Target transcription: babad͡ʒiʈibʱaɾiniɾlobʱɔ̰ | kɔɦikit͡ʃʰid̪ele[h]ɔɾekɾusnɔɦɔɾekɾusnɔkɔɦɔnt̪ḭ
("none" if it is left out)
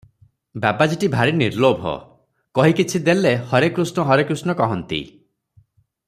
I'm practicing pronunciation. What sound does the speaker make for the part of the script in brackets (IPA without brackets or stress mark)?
h